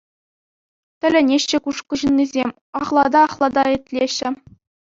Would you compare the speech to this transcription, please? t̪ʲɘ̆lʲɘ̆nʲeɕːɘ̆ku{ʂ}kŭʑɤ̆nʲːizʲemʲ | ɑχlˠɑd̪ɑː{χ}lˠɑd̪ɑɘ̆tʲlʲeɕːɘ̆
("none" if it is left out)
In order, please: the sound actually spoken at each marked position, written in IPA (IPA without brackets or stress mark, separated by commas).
ʂ, χ